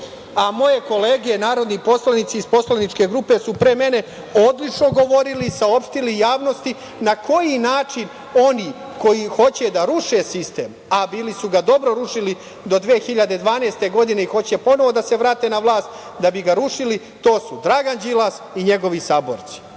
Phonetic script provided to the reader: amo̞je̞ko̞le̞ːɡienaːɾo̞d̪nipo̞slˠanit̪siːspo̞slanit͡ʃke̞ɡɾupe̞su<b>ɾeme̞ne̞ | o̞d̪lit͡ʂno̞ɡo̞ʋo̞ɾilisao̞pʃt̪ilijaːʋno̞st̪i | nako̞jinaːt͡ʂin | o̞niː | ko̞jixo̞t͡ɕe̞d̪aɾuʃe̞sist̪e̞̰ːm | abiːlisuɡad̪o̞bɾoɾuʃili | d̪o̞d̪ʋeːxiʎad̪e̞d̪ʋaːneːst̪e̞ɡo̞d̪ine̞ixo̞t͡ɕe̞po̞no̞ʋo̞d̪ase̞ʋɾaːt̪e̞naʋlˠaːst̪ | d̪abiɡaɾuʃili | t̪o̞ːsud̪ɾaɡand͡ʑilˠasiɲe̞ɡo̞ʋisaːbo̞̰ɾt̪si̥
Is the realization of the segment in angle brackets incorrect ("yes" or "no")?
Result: yes